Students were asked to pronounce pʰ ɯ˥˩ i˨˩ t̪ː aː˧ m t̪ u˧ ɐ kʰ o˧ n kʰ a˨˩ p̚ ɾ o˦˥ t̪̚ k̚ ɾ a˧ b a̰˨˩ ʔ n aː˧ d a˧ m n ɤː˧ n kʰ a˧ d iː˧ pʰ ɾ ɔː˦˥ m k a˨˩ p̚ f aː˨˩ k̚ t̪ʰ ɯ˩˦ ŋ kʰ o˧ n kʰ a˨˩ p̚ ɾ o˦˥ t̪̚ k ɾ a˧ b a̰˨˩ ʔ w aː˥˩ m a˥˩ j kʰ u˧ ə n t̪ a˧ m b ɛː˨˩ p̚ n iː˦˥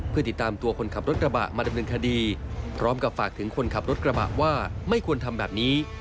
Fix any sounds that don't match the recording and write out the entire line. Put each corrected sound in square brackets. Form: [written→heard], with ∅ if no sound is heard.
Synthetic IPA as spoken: pʰ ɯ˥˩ i˨˩ t̪ː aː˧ m t̪ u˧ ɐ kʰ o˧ n kʰ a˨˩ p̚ ɾ o˦˥ t̪̚ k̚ ɾ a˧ b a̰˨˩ ʔ [n→m] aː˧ d a˧ m n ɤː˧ n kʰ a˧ d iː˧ pʰ ɾ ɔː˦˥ m k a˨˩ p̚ f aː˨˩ k̚ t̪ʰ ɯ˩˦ ŋ kʰ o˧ n kʰ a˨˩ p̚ ɾ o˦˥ t̪̚ k ɾ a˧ b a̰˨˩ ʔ w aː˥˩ m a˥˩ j kʰ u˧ ə n [t̪→t̪ʰ] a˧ m b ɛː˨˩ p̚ n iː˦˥